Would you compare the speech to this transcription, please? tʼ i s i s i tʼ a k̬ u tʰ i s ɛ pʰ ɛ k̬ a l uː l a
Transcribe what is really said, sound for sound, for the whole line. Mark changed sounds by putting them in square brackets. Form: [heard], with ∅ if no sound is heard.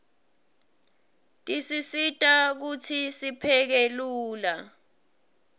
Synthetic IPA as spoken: tʼ i s i s i tʼ a k̬ u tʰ i s [i] pʰ ɛ k̬ [e] l uː l a

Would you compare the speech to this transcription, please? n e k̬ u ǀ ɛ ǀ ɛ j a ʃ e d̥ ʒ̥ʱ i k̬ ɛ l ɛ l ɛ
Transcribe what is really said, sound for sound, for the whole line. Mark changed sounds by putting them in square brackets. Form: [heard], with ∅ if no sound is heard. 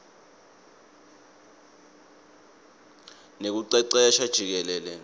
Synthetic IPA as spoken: n e k̬ u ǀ ɛ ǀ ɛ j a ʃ [a] d̥ ʒ̥ʱ i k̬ ɛ l ɛ l ɛ

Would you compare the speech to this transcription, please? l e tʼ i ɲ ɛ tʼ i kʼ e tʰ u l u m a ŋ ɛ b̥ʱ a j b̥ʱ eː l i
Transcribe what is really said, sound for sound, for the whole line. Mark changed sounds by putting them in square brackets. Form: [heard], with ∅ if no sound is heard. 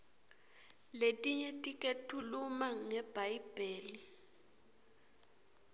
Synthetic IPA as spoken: l e tʼ i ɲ ɛ tʼ i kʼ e tʰ u l u m a ŋ ɛ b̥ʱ a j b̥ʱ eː l i

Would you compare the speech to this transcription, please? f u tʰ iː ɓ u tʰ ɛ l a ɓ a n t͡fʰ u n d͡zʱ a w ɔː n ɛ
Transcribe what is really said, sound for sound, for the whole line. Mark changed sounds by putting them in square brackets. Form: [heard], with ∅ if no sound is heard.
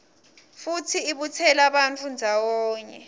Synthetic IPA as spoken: f u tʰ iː ɓ u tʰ ɛ l a ɓ a n t͡fʰ u n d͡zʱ a w ɔː [ɲ] ɛ

